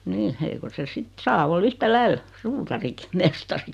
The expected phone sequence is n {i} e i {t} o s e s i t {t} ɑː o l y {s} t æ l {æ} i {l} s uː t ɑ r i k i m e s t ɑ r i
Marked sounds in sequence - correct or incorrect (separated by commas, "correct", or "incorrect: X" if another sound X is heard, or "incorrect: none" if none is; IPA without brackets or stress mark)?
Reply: incorrect: iː, incorrect: k, incorrect: s, incorrect: h, correct, correct